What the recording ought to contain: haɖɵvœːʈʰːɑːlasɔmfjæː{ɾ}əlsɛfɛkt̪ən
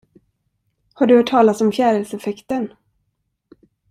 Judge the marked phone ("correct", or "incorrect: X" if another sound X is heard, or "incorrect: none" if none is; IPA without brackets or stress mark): correct